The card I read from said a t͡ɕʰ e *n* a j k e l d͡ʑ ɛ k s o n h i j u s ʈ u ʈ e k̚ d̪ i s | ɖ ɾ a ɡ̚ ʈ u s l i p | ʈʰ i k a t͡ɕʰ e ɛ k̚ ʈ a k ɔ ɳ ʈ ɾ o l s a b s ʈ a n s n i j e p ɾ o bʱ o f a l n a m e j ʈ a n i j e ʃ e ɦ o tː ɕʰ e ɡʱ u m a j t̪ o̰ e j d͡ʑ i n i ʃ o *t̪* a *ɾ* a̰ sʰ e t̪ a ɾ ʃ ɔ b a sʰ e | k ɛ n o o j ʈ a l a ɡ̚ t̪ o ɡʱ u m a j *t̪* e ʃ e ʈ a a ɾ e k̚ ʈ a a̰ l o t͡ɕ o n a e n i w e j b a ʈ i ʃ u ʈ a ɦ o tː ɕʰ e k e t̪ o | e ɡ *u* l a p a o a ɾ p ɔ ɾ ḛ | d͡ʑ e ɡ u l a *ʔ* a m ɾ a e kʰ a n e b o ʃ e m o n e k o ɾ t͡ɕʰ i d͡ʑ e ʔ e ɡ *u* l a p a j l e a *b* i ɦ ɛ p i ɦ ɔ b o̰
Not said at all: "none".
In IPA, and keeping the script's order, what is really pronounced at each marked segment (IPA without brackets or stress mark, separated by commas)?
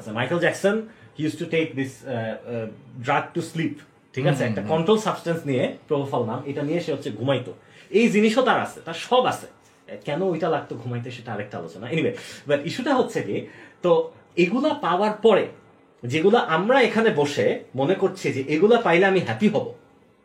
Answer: m, t̪, ɾ, t̪, u, ʔ, u, m